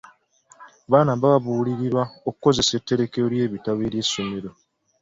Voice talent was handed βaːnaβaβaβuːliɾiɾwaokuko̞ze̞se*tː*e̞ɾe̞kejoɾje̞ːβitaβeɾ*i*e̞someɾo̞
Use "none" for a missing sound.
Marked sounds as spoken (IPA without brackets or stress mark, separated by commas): tː, j